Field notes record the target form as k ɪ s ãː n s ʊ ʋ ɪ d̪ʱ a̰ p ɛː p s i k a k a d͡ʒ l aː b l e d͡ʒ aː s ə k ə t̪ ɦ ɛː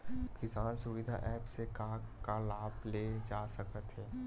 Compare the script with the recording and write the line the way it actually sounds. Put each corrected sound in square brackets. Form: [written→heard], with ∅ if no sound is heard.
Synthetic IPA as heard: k ɪ s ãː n s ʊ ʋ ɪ d̪ʱ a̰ [p→ʔ] ɛː p s [i→e] k a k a [d͡ʒ→∅] l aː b l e d͡ʒ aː s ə k ə t̪ ɦ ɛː